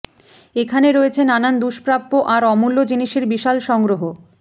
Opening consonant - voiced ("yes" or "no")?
no